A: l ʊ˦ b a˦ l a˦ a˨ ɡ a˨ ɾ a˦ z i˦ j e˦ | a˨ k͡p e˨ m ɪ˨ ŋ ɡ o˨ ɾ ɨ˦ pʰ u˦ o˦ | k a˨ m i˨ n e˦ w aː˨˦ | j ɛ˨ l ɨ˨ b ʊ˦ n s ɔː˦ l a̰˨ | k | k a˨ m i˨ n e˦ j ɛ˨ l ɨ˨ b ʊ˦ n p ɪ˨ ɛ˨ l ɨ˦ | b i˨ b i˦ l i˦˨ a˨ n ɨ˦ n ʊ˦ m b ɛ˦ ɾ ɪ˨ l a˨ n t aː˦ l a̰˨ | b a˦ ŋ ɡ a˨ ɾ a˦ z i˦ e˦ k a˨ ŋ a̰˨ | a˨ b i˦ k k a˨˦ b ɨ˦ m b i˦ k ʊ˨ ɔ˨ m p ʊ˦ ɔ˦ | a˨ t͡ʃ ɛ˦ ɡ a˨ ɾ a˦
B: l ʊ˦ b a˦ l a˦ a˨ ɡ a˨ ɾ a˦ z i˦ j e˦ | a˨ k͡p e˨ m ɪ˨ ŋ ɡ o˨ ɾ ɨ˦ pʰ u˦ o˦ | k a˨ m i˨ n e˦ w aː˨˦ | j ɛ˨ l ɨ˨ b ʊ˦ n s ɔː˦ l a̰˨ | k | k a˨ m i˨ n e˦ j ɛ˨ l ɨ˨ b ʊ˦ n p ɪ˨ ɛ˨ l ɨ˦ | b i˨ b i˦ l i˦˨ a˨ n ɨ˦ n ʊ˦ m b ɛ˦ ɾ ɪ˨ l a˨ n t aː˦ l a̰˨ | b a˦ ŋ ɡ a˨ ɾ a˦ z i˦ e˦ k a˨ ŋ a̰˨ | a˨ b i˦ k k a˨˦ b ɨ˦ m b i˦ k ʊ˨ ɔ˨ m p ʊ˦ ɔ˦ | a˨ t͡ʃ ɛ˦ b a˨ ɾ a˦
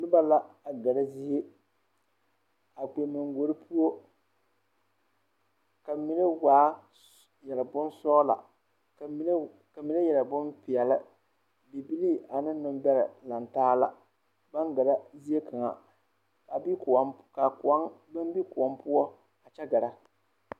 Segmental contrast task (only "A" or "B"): A